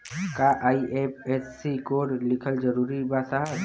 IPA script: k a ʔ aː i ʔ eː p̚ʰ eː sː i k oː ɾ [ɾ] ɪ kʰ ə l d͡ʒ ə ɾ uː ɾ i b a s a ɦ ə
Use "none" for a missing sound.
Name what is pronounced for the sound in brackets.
l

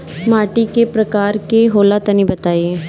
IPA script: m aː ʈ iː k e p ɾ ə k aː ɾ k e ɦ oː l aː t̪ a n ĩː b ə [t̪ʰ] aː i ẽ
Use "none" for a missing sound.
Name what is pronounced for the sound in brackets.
t̪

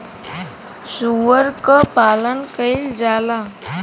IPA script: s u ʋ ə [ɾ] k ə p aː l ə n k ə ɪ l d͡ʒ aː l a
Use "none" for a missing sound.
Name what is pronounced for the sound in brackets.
ɾ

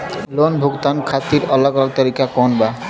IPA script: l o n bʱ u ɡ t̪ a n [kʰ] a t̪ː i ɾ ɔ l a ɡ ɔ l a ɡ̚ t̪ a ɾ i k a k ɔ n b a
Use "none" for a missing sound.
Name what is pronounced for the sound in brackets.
kʰ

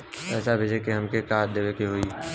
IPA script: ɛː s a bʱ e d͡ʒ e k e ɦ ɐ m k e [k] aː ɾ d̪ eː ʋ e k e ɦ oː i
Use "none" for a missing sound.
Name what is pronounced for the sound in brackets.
k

